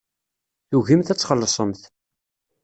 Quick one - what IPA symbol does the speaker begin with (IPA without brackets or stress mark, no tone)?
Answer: θ